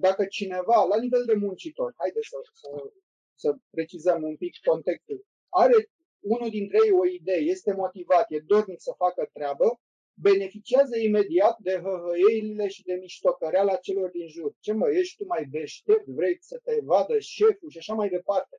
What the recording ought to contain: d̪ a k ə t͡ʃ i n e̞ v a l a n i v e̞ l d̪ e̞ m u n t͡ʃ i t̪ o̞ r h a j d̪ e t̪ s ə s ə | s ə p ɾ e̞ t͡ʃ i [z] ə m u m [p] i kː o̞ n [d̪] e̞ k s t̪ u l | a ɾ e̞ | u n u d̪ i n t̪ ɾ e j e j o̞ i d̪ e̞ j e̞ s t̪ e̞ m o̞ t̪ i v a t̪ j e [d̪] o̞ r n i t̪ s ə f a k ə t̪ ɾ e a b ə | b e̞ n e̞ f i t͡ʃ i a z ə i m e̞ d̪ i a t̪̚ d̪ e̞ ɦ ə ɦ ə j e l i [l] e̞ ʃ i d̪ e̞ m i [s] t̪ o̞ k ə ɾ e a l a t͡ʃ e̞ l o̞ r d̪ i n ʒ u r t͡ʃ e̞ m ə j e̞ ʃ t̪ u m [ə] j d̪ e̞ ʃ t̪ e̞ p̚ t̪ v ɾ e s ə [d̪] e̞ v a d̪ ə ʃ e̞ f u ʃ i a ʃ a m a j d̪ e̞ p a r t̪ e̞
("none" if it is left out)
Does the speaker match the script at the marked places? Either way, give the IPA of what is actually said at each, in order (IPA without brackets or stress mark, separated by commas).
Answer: z, p, t̪, d̪, l, ʃ, a, t̪